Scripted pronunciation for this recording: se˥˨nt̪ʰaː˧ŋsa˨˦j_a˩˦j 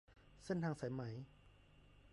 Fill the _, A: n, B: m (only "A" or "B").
B